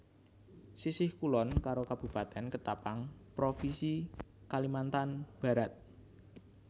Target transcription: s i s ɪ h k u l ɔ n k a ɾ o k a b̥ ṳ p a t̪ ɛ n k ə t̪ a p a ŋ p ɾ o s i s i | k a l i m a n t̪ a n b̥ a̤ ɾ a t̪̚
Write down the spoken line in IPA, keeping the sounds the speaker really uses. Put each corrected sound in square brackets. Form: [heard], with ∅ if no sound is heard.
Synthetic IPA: s i s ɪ h k u l ɔ n k a ɾ o k a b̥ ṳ p a t̪ ɛ n k ə t̪ a p a ŋ p ɾ o [f] i s i | k a l i m a n t̪ a n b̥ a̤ ɾ a t̪̚

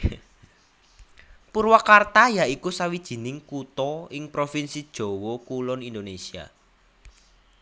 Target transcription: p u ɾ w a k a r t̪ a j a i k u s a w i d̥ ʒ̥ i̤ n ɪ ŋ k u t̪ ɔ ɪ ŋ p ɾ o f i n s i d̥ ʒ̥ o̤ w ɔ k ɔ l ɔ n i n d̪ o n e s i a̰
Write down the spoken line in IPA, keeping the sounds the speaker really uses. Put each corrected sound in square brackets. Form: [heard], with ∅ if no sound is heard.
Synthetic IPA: p u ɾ w a k a r t̪ a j a i k u s a w i d̥ ʒ̥ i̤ n ɪ ŋ k u t̪ ɔ ɪ ŋ p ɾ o f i n s i d̥ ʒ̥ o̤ w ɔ k [u] l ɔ n i n d̪ o n e s i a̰

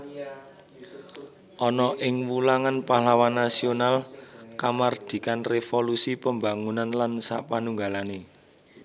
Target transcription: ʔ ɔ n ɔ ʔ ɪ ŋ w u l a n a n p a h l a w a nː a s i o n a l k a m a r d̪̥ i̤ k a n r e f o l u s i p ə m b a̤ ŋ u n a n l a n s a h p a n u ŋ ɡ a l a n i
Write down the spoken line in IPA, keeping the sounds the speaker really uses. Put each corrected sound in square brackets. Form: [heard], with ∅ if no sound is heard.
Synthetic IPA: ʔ ɔ n ɔ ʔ ɪ ŋ w u l a [ŋ] a n p a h l a w a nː a s i o n a l k a m a r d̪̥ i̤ k a n r e f o l u s i p ə m b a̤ ŋ u n a n l a n s a [∅] p a n u ŋ ɡ a l a n [e]

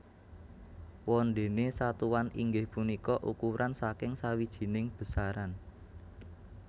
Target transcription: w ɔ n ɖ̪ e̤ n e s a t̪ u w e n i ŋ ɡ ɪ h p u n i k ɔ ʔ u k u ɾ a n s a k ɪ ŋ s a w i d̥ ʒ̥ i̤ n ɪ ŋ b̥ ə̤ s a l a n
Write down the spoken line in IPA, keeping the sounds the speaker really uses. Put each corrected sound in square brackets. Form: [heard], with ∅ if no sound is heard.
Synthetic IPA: w ɔ n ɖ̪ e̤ n e s a t̪ u w [a] n i ŋ ɡ ɪ h p u n i k ɔ ʔ u k u ɾ a n s a k ɪ ŋ s a w i d̥ ʒ̥ i̤ n ɪ ŋ b̥ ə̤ s a [ɾ] a n

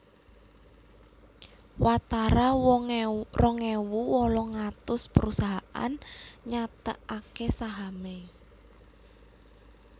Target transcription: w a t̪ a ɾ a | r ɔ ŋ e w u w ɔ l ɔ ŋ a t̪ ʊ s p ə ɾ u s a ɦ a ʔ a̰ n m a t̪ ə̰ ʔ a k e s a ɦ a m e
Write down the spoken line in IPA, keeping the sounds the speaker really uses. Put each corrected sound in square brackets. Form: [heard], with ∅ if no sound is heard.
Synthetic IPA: w a t̪ a ɾ a | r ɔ ŋ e w u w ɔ l ɔ ŋ a t̪ ʊ s p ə ɾ u s a ɦ a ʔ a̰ n [ɲ] a t̪ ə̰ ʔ a k e s a ɦ a m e

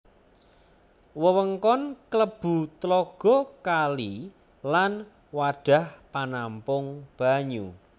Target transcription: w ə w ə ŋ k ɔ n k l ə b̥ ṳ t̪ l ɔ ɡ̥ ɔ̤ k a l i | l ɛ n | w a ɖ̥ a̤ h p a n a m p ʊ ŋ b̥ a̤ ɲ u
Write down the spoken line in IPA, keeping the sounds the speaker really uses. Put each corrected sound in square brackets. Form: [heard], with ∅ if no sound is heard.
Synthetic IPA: w ə w ə ŋ k ɔ n k l ə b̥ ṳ t̪ l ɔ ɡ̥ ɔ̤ k a l i | l [a] n | w a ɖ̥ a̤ h p a n a m p ʊ ŋ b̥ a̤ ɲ u

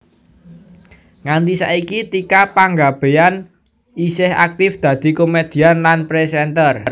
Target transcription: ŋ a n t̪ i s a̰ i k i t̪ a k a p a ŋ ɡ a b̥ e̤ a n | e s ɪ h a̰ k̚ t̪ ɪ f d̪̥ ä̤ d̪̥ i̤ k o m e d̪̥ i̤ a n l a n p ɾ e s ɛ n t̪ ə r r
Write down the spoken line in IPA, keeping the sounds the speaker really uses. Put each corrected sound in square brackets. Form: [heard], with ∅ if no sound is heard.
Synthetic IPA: ŋ a n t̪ i s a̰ i k i t̪ [i] k a p a ŋ ɡ a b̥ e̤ a n | [i] s ɪ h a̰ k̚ t̪ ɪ f d̪̥ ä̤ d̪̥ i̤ k o m e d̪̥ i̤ a n l a n p ɾ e s ɛ n t̪ ə r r

